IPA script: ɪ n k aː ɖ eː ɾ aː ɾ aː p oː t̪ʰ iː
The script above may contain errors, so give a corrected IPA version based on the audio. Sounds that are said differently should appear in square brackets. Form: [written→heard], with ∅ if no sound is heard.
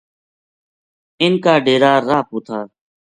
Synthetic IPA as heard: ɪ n k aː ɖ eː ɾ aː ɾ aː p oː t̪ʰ [iː→aː]